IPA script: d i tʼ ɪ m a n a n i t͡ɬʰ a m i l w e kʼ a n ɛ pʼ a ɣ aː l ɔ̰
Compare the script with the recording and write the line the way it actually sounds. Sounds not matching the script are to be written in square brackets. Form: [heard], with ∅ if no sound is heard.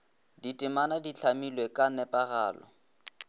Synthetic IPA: d i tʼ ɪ m a n a [d] i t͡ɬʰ a m i l w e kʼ a n ɛ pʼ a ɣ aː l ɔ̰